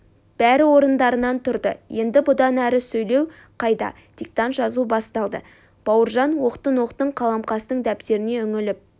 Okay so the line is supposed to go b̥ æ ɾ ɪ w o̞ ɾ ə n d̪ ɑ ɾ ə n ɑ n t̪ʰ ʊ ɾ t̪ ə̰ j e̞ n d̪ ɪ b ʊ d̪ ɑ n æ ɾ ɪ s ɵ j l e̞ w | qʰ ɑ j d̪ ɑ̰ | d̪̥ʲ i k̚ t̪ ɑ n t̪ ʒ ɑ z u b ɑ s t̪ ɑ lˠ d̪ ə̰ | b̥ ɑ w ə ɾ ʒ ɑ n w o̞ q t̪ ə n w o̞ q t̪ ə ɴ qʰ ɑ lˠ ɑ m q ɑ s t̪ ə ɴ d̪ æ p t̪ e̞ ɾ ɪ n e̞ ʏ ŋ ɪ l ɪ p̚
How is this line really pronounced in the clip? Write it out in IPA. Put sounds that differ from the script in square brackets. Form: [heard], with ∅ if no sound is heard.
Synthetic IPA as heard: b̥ æ ɾ ɪ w o̞ ɾ ə n d̪ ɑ ɾ ə n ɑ n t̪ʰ ʊ ɾ [d̪] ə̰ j e̞ n d̪ ɪ b ʊ d̪ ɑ n æ ɾ ɪ s ɵ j l e̞ w | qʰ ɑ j d̪ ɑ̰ | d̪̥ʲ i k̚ t̪ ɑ n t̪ ʒ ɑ z u b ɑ s t̪ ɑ lˠ d̪ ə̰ | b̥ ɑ w ə ɾ ʒ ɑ n w o̞ q t̪ ə n w o̞ q t̪ ə ɴ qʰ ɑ lˠ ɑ m q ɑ s t̪ ə ɴ d̪ æ p t̪ e̞ ɾ ɪ n e̞ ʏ ŋ ɪ l ɪ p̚